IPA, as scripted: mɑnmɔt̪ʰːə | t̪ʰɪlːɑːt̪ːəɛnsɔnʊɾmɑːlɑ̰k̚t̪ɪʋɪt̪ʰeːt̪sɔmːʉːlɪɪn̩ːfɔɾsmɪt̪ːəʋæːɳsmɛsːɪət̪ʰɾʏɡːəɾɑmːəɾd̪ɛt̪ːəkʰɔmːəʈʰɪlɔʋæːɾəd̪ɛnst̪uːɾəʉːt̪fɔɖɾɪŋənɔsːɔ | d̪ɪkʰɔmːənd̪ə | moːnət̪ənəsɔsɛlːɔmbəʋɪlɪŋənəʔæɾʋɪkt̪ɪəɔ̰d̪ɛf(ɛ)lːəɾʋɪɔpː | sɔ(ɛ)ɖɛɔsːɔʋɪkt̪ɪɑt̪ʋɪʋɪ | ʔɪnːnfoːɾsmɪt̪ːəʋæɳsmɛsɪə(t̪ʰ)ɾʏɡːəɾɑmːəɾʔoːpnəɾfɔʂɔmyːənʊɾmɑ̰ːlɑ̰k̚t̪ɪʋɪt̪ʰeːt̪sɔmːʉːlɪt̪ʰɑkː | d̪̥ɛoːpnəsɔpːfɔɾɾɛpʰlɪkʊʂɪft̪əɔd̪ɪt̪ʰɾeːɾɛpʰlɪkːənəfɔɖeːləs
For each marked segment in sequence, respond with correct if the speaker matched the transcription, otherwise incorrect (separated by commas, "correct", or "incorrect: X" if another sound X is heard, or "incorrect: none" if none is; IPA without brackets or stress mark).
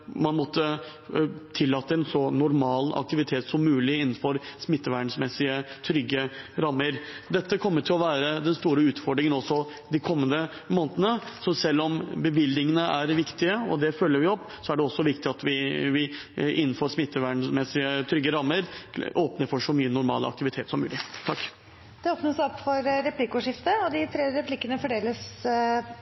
incorrect: œ, incorrect: æ, correct